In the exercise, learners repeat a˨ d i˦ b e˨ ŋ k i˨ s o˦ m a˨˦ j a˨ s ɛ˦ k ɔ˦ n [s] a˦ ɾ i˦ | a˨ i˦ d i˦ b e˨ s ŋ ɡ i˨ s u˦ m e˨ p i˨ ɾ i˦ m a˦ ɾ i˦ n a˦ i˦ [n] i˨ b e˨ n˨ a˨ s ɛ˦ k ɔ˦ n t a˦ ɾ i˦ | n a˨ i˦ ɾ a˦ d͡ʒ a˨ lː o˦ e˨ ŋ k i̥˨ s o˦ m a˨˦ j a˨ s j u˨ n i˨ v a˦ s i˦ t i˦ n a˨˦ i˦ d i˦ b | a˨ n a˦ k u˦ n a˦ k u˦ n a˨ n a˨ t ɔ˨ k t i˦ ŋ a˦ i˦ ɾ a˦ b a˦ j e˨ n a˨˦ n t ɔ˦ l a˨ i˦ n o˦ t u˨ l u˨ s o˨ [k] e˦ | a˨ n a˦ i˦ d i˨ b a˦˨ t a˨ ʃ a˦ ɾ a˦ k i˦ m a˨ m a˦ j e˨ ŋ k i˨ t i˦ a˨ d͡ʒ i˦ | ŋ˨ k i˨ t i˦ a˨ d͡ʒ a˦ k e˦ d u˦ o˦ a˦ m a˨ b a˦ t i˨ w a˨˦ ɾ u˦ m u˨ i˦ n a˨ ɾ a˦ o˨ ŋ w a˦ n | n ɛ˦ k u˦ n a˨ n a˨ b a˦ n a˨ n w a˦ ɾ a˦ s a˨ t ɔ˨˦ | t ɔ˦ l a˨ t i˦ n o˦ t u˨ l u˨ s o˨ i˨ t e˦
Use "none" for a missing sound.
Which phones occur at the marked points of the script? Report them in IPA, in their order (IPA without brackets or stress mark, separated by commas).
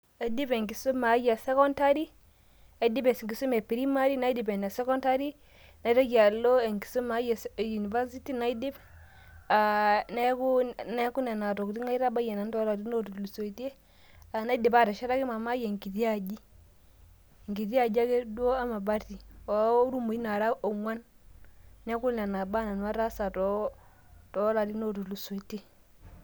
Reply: t, d, t